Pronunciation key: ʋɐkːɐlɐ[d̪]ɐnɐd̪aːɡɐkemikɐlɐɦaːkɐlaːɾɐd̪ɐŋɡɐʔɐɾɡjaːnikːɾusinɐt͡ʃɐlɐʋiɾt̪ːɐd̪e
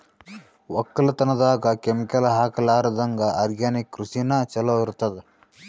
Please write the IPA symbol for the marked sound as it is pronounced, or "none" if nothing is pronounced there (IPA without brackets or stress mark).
t̪